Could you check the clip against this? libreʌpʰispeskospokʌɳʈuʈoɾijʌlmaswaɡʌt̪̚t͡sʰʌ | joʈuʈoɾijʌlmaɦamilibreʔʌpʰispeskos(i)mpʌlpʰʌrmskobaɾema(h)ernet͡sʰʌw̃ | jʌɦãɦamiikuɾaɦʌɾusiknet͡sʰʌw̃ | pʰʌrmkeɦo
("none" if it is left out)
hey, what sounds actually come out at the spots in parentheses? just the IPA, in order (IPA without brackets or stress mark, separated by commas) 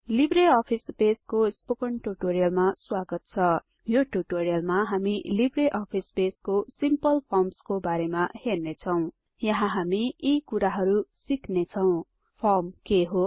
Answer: i, h